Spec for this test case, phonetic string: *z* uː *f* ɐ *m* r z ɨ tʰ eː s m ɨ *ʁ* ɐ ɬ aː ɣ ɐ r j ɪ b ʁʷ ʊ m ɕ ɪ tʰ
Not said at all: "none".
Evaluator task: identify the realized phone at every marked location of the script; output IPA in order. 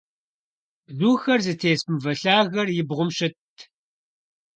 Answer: z, x, none, v

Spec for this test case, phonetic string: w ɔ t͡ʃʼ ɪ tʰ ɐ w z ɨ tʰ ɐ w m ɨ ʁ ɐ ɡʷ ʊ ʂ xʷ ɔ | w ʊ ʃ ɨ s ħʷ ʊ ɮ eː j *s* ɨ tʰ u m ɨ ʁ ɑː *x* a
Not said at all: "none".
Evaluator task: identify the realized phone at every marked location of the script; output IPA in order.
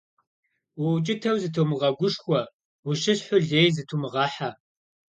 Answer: z, ħ

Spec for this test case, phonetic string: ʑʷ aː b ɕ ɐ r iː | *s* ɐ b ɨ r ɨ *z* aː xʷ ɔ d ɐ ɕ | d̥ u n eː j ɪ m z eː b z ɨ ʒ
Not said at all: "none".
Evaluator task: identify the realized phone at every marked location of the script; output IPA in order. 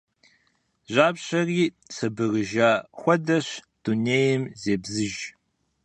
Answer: s, ʒ

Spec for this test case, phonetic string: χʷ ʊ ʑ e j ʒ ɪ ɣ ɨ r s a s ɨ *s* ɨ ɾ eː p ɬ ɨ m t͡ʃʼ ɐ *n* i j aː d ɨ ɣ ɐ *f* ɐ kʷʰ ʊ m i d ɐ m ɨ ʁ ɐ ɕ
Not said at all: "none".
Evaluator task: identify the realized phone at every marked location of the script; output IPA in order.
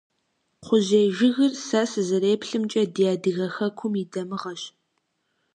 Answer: z, d, x

